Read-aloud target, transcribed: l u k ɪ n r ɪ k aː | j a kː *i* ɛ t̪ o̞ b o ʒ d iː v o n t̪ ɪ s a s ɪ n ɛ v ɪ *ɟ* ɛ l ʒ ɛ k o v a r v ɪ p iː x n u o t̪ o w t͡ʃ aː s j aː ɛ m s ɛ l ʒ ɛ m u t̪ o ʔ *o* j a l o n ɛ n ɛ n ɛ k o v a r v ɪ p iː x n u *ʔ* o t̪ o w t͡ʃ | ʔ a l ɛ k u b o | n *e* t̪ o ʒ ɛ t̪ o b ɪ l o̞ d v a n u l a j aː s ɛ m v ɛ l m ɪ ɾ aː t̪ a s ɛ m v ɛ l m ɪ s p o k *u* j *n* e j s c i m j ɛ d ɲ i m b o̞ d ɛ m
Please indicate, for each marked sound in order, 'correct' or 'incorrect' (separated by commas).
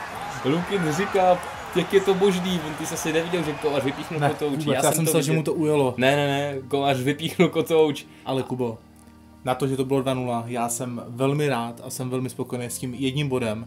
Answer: incorrect, correct, incorrect, incorrect, incorrect, incorrect, correct